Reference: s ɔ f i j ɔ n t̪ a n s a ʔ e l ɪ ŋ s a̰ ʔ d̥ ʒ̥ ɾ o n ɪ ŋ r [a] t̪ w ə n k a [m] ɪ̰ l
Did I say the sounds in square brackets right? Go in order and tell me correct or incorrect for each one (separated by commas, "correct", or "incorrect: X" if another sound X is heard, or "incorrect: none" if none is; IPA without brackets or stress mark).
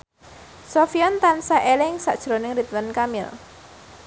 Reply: incorrect: i, correct